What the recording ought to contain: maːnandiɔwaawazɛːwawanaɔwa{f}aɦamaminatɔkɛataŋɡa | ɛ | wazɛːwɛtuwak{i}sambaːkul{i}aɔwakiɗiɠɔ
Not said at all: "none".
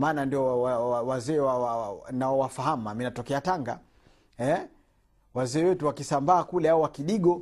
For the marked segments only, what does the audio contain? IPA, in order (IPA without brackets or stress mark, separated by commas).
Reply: f, i, ɛ